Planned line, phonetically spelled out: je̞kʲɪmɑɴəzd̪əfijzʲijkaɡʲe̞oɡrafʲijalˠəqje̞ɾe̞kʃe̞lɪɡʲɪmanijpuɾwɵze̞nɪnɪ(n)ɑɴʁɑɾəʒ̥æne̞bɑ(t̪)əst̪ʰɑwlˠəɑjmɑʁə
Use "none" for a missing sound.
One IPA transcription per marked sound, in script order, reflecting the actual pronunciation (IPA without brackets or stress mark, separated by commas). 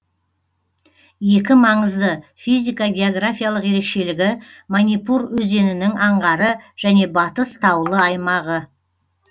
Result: ŋ, t̪